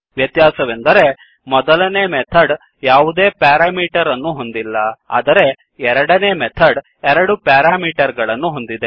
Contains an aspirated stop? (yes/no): yes